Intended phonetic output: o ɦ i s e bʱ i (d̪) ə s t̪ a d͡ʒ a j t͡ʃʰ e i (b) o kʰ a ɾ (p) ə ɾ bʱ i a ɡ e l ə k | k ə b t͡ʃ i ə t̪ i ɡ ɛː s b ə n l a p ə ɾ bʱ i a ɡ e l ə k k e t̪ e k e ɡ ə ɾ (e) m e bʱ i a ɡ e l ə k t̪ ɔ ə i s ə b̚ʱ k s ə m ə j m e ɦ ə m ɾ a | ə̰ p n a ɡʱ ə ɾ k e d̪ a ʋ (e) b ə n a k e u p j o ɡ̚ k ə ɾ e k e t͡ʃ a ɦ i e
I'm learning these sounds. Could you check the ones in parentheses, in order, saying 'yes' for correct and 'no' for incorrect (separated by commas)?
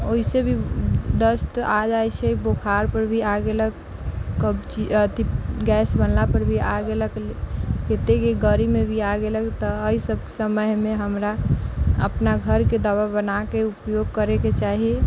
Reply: yes, yes, yes, no, no